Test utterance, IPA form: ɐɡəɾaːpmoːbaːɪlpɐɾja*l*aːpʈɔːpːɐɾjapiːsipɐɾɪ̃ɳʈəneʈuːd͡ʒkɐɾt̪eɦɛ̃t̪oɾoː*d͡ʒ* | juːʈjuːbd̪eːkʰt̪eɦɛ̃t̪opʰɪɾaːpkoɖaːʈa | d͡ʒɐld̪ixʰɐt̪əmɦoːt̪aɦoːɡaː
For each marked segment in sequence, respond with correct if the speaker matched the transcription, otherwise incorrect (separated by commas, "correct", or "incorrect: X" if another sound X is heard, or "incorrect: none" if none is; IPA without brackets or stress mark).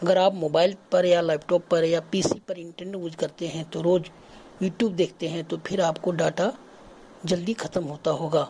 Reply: correct, correct